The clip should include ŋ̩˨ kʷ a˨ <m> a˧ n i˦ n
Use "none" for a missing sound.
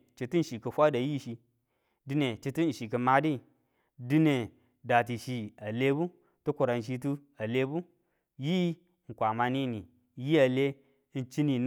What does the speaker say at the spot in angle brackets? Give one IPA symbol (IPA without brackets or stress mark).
m